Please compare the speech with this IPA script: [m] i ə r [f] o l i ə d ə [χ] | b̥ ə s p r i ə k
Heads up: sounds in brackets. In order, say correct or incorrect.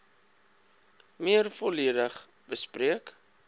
correct, correct, correct

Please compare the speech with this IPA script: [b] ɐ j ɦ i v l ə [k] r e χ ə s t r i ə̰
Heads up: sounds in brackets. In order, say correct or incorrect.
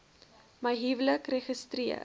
incorrect: m, correct

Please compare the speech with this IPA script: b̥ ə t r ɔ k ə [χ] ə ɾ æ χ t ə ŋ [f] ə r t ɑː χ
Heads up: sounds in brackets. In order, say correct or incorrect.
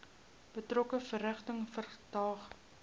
incorrect: f, correct

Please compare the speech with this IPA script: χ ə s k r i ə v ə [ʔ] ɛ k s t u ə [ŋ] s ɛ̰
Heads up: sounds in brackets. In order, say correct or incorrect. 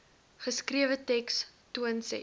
incorrect: t, incorrect: n

